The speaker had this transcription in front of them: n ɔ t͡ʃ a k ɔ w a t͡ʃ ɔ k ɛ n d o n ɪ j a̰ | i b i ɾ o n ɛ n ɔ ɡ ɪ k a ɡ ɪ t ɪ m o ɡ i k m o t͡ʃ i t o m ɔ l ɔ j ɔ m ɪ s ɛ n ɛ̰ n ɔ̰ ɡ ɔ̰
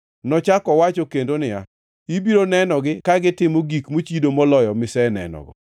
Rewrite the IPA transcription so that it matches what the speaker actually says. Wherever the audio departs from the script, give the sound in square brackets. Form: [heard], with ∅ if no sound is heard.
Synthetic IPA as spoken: n ɔ t͡ʃ a k ɔ w a t͡ʃ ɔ k [e] n d o n ɪ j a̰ | i b i ɾ o n ɛ n ɔ ɡ ɪ k a ɡ ɪ t ɪ m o ɡ i k m o t͡ʃ i [d] o m ɔ l ɔ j ɔ m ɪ s ɛ n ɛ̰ n ɔ̰ ɡ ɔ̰